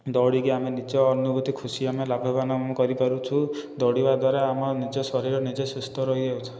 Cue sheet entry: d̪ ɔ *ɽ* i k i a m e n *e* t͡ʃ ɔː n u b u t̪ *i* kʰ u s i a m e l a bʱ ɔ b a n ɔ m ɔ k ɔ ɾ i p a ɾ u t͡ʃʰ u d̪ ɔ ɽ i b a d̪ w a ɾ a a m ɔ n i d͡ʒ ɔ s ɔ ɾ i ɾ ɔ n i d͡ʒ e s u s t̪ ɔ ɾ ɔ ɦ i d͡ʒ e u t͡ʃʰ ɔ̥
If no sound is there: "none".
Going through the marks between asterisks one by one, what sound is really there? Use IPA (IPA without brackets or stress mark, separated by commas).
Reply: ɽ, i, i